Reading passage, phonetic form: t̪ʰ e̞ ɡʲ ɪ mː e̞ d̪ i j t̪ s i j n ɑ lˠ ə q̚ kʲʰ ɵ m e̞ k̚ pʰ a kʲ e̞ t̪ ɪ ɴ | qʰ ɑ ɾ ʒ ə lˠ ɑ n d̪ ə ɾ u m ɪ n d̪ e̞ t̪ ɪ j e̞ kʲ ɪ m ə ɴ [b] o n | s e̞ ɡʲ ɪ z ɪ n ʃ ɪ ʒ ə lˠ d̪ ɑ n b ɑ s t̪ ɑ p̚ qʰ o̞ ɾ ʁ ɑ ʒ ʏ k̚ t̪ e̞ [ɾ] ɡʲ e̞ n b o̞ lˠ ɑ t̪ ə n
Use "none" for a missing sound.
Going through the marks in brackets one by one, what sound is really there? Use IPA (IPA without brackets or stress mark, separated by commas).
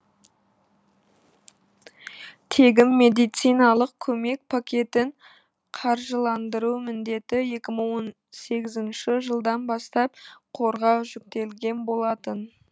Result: w, l